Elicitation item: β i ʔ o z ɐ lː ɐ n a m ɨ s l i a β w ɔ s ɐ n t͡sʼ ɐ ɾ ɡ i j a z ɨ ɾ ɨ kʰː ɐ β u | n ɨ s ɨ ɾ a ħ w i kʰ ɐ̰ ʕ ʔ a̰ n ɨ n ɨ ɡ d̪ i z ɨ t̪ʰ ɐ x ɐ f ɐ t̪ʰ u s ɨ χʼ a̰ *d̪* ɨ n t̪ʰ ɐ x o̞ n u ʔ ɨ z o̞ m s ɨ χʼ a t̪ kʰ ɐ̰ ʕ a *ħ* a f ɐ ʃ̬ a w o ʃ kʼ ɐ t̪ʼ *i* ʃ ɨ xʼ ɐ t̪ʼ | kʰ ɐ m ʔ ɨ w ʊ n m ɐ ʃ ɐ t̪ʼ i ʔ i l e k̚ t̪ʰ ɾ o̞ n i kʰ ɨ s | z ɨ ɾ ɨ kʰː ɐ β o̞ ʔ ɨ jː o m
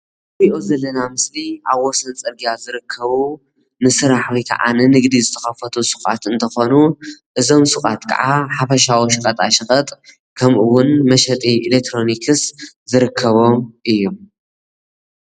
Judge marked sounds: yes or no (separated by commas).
no, yes, no